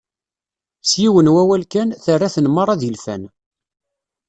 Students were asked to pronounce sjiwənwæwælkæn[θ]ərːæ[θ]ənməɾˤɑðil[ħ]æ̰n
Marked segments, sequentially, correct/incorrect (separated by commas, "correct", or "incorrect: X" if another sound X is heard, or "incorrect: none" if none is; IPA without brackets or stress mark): correct, correct, incorrect: f